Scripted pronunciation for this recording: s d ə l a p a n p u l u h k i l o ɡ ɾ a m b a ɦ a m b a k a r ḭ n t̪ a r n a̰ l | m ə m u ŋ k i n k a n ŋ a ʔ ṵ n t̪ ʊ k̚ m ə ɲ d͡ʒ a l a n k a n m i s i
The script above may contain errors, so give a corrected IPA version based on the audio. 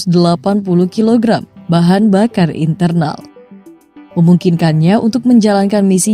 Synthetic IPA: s d ə l a p a n p u l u h k i l o ɡ ɾ a m b a ɦ a n b a k a r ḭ n t̪ ə r n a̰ l | m ə m u ŋ k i n k a n ɲ a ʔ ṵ n t̪ ʊ k̚ m ə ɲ d͡ʒ a l a n k a n m i s i